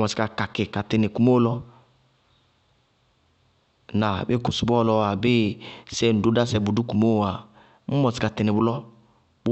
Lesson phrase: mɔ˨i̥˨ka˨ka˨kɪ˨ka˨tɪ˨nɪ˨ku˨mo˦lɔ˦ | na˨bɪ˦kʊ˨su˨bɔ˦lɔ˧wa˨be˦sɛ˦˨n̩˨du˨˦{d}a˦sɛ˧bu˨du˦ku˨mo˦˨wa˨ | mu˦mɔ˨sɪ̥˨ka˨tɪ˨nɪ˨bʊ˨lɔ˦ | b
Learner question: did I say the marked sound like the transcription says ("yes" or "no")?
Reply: yes